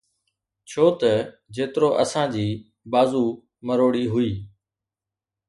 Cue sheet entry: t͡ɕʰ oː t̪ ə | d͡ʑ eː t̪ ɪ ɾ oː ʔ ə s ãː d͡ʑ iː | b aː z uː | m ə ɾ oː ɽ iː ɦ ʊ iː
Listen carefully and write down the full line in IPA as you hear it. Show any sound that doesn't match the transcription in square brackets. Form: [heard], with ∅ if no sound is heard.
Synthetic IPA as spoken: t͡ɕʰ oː t̪ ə | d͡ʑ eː t̪ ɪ ɾ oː ʔ ə s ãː d͡ʑ iː | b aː z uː | m ə ɾ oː ɽ iː ɦ ʊ iː